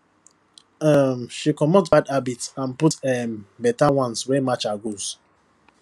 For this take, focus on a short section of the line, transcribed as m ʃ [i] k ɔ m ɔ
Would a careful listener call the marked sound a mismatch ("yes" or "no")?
no